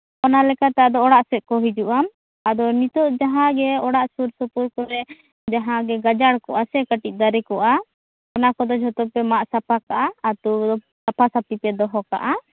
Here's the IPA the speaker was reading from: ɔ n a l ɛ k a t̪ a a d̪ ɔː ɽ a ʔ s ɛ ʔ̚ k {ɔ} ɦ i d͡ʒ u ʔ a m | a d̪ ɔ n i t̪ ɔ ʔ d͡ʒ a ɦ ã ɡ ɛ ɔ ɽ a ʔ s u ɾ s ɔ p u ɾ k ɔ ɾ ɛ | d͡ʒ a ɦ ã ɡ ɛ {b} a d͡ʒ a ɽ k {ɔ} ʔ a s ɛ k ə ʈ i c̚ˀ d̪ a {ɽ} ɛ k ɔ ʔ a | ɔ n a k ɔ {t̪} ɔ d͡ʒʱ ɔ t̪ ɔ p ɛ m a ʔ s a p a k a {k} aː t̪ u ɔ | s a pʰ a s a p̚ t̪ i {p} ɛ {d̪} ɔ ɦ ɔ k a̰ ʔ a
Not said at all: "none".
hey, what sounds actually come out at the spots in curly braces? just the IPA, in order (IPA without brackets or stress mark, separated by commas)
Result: ɔ, ɡ, ɔ, ɾ, d̪, ʔ, p, d̪